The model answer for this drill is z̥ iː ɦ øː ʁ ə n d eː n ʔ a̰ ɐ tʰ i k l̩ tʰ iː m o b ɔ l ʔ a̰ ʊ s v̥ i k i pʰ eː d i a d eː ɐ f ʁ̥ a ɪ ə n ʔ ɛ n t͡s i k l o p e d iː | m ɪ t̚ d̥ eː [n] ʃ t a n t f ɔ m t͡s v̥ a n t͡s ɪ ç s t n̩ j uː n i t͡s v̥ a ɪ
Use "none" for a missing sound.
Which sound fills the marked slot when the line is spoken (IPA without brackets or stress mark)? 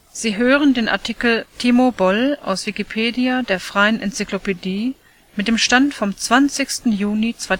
m